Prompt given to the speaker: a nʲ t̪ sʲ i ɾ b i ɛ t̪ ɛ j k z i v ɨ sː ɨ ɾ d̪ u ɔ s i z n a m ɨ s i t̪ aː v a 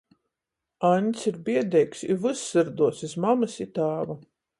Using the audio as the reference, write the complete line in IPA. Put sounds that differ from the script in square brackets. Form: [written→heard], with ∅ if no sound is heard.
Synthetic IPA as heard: a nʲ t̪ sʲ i ɾ b i ɛ [t̪→d̪] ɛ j k [z→s] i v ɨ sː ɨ ɾ d̪ u ɔ s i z [n→m] a m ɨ s i t̪ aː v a